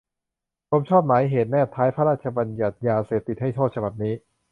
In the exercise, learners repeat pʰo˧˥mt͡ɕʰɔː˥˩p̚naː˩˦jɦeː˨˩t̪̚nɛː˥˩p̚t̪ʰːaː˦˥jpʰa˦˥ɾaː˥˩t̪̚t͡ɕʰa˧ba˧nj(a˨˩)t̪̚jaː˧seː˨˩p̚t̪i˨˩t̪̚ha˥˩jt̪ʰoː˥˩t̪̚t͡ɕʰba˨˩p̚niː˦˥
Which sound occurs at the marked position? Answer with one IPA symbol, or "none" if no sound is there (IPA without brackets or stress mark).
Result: a˨˩